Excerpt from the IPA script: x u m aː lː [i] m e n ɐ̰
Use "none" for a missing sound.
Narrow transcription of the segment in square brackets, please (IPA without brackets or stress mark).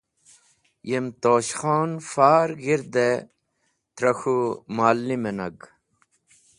i